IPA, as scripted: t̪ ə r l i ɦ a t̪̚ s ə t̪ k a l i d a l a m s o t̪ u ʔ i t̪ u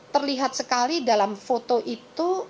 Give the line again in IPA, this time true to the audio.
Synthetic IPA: t̪ ə r l i ɦ a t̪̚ s ə k a l i d a l a m f o t̪ o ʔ i t̪ u